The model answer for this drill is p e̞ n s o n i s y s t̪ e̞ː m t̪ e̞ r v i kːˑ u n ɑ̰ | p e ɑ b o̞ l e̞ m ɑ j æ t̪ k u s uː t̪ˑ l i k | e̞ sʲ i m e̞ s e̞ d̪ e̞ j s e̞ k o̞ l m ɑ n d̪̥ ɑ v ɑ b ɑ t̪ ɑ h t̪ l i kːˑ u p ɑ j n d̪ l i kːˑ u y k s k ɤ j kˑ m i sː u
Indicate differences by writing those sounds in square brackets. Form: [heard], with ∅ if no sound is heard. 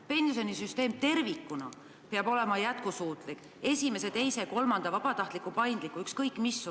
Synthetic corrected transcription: p e̞ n s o n i s y s t̪ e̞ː m t̪ e̞ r v i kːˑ u n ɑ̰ | p e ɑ b o̞ l e̞ m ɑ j æ t̪ k u s uː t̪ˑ l i k | e̞ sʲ i m e̞ s e̞ [t̪] e̞ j s e̞ k o̞ l m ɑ n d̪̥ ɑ v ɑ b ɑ t̪ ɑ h t̪ l i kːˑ u p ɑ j n d̪ l i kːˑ u y k s k ɤ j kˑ m i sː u

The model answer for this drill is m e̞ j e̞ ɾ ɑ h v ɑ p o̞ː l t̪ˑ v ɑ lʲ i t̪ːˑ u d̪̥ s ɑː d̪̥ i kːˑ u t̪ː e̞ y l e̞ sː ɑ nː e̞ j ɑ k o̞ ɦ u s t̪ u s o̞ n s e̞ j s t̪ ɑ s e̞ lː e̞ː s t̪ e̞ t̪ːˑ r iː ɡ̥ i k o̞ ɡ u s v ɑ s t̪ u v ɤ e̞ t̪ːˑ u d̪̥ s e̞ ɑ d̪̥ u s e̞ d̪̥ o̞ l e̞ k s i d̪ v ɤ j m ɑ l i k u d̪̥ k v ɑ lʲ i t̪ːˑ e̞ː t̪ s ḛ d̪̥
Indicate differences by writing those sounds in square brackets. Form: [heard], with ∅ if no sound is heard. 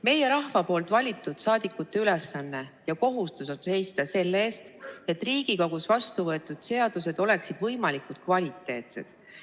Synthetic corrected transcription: m e̞ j e̞ ɾ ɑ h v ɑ p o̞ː l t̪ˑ v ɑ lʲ i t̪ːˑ u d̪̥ s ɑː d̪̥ i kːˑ u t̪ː e̞ y l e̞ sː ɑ nː e̞ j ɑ k o̞ ɦ u s t̪ u s o̞ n s e̞ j s t̪ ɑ s e̞ lː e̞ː s t̪ e̞ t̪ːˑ r iː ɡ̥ i k o̞ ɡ u s v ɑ s t̪ u v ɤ e̞ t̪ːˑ u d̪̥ s e̞ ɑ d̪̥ u s e̞ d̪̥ o̞ l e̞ k s i d̪ v ɤ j m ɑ l i k u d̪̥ k v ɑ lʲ i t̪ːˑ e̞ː t̪ s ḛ d̪̥

